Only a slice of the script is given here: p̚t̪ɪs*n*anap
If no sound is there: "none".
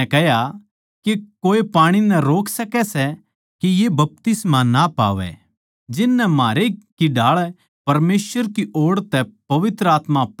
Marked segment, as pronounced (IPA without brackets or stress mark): m